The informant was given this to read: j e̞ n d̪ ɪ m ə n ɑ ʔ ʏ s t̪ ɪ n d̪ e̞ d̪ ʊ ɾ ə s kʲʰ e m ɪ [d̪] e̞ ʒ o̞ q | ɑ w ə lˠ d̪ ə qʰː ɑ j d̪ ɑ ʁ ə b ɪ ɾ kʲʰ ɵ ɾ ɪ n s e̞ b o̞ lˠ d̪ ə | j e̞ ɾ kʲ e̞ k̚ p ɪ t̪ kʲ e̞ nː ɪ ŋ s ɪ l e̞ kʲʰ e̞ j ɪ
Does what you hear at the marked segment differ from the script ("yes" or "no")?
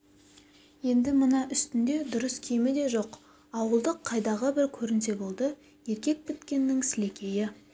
no